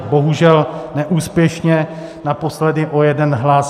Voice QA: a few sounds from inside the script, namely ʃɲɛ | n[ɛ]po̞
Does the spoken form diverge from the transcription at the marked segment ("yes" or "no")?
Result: yes